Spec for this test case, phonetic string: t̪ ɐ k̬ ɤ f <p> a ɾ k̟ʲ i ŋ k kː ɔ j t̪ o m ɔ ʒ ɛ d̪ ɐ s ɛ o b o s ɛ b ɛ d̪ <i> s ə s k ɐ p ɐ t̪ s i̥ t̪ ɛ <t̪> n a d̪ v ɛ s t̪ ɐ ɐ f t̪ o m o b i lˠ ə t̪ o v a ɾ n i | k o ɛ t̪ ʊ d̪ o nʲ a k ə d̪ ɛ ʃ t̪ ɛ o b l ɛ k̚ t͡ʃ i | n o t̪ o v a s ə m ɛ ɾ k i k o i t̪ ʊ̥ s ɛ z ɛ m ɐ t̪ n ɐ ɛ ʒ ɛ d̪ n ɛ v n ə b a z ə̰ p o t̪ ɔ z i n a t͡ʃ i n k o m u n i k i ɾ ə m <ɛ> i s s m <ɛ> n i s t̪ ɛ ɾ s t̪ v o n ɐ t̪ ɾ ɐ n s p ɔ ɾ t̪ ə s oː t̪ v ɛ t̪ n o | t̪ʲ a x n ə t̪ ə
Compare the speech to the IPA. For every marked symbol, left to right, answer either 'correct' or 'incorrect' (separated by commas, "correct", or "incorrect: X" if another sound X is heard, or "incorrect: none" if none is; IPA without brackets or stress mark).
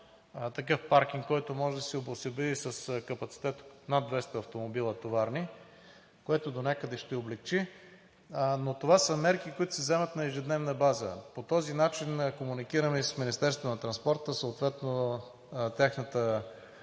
correct, correct, correct, correct, incorrect: i